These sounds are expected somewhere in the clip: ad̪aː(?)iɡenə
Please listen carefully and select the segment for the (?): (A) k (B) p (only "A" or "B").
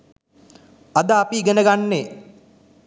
B